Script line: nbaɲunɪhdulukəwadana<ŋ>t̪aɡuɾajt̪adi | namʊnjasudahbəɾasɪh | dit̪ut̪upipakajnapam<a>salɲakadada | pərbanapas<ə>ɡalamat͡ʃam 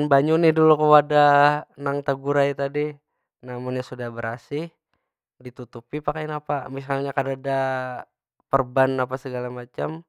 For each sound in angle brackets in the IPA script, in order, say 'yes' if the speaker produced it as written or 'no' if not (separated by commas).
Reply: yes, no, yes